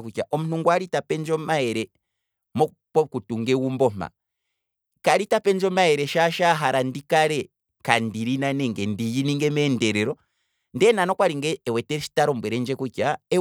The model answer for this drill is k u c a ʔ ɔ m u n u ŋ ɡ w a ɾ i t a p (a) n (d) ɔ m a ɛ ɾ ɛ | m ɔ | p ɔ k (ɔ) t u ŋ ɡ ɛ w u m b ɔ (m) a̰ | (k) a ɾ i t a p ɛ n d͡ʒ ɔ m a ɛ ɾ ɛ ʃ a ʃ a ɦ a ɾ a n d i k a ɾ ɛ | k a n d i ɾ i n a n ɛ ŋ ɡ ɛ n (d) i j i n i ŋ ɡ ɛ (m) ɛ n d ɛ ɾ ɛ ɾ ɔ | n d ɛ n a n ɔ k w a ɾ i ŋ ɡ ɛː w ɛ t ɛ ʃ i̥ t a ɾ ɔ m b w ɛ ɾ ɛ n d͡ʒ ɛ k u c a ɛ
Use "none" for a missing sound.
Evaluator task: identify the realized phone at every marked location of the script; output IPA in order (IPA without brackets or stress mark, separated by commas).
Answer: ɛ, d͡ʒ, u, m, k, d, m